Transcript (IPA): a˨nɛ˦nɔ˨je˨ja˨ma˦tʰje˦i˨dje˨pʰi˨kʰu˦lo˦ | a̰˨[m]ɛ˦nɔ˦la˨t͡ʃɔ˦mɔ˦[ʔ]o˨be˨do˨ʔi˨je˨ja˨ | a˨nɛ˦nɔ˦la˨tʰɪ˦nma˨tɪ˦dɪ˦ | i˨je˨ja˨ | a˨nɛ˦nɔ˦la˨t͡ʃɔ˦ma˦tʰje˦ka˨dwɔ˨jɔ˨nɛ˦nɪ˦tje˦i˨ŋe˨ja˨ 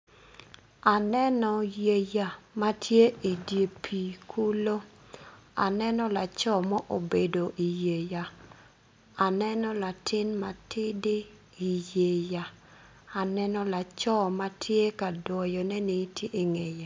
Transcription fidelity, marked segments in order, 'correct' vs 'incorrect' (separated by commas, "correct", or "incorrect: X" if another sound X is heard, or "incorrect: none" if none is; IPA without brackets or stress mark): incorrect: n, correct